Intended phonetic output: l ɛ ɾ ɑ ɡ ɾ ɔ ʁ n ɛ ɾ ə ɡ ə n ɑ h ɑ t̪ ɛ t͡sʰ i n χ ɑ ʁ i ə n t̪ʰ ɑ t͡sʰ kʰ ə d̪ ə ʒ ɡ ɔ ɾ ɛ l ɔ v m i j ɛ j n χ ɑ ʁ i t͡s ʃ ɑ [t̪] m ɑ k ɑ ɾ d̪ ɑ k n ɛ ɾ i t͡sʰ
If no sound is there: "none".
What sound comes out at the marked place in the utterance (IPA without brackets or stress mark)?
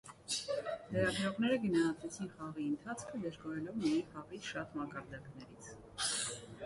t̪